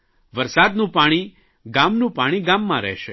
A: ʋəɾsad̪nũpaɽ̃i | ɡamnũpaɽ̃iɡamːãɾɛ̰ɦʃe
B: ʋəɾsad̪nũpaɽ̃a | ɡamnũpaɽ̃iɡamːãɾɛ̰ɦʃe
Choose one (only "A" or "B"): A